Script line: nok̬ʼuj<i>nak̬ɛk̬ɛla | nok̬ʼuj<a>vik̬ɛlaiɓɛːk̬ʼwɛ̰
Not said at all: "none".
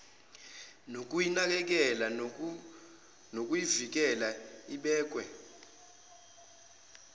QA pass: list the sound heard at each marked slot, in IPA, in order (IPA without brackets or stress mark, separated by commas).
i, i